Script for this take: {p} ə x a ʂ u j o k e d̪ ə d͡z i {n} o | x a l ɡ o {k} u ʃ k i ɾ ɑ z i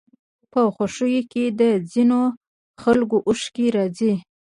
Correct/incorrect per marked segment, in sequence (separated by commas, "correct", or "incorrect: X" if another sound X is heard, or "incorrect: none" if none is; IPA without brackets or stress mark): correct, correct, incorrect: ʔ